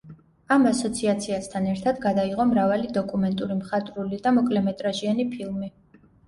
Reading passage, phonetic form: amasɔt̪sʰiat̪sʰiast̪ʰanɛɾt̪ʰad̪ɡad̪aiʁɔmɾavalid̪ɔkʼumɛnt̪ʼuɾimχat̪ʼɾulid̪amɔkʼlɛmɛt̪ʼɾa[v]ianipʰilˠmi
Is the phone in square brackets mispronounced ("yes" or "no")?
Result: yes